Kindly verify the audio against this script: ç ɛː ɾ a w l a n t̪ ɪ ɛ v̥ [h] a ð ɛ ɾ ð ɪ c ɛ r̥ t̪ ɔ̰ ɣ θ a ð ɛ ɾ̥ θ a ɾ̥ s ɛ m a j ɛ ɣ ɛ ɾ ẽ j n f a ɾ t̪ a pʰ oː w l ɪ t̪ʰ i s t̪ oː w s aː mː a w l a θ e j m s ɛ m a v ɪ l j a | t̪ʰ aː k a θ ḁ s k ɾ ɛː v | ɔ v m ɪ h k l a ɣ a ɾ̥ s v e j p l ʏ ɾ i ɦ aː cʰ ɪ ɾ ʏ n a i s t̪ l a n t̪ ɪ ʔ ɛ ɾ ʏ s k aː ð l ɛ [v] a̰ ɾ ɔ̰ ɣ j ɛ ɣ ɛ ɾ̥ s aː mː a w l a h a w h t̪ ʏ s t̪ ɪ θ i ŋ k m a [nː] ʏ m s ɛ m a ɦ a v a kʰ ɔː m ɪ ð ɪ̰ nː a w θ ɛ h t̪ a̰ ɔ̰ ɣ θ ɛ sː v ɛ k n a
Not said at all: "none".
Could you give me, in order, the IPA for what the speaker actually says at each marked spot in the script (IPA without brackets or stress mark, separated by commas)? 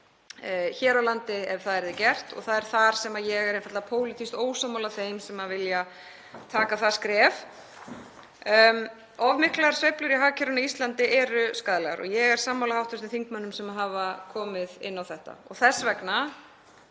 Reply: θ, ɣ, nː